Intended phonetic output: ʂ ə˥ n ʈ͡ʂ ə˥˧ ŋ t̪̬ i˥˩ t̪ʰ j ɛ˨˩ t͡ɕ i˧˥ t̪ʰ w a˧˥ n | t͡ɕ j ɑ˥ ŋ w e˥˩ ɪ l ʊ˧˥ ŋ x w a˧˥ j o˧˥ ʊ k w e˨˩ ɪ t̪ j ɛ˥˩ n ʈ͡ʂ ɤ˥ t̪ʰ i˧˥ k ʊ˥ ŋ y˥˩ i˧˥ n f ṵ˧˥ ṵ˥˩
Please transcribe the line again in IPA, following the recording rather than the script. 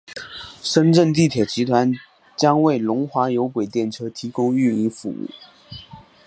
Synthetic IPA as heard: ʂ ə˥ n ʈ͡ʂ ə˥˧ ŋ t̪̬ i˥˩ t̪ʰ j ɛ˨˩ t͡ɕ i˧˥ t̪ʰ w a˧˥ n | t͡ɕ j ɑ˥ ŋ w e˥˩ ɪ l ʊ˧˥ ŋ x w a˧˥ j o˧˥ ʊ k w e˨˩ ɪ t̪ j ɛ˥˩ n ʈ͡ʂʰ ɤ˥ t̪ʰ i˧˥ k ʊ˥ ŋ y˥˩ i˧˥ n f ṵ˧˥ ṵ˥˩

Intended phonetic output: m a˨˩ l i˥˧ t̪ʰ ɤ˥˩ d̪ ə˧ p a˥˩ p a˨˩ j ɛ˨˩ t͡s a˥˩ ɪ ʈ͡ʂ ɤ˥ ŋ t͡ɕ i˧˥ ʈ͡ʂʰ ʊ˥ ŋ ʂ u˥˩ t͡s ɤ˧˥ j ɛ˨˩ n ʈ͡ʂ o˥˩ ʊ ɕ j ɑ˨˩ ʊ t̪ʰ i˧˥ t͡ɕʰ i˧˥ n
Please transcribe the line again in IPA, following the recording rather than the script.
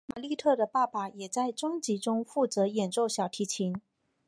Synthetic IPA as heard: m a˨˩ l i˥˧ t̪ʰ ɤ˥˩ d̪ ə˩ p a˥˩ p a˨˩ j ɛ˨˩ t͡s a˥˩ ɪ ʈ͡ʂ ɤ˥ ŋ t͡ɕ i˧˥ ʈ͡ʂ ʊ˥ ŋ f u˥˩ t͡s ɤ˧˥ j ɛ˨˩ n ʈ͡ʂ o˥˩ ʊ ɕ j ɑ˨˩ ʊ t̪ʰ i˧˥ t͡ɕʰ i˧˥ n

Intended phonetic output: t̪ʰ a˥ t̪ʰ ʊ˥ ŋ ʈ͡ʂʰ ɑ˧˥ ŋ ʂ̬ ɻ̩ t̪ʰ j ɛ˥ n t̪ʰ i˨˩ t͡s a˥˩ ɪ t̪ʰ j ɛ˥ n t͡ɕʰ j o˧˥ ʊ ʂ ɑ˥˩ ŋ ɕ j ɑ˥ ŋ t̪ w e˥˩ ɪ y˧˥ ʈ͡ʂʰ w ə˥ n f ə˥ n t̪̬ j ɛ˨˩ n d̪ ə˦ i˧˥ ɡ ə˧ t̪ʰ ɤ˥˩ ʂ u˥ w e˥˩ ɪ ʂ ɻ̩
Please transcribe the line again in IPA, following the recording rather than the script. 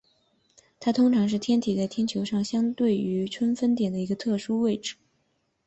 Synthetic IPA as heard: t̪ʰ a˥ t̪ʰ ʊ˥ ŋ ʈ͡ʂʰ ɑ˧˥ ŋ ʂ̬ ɻ̩ t̪ʰ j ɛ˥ n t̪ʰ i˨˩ t͡s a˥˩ ɪ t̪ʰ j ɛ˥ n t͡ɕʰ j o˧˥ ʊ ʂ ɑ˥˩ ŋ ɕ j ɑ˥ ŋ t̪ w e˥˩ ɪ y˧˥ ʈ͡ʂʰ w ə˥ n f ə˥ n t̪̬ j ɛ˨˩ n d̪ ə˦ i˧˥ ɡ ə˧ t̪ʰ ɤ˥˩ ʂ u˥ w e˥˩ ɪ ʈ͡ʂ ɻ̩

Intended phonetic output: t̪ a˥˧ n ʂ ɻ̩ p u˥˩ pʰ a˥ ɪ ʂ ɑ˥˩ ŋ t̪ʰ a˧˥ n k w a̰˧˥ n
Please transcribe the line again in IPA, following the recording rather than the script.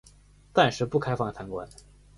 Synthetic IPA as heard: t̪ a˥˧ n ʂ ɻ̩ p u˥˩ kʰ a˥ ɪ f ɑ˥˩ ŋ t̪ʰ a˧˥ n k w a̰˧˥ n

